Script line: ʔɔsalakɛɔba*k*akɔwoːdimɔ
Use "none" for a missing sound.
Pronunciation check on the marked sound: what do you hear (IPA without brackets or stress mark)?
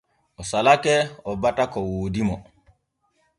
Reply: t